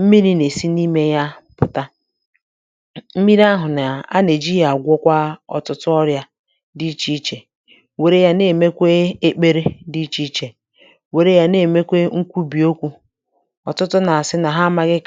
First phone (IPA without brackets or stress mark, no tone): m̩